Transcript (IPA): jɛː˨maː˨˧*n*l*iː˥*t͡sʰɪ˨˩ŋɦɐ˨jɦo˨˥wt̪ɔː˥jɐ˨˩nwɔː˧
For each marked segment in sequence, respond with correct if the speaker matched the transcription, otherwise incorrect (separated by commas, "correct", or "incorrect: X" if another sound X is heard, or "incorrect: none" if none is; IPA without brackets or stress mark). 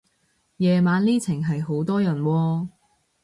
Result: correct, correct